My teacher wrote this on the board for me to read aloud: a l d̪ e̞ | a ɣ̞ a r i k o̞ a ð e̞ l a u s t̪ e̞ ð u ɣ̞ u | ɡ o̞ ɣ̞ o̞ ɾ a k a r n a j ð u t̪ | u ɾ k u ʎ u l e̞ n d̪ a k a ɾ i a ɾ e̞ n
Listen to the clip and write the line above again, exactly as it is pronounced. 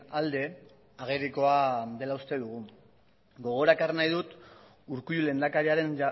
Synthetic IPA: a l d̪ e̞ | a ɣ̞ e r i k o̞ a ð e̞ l a u s t̪ e̞ ð u ɣ̞ u | ɡ o̞ ɣ̞ o̞ ɾ a k a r n a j ð u t̪ | u ɾ k u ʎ u l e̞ n d̪ a k a ɾ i a ɾ e̞ n